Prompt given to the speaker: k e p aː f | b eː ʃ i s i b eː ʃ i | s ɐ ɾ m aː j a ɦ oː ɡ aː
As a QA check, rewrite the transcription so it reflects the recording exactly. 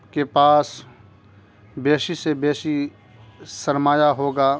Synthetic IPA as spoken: k e p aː s | b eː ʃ i s e b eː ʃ i | s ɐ ɾ m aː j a ɦ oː ɡ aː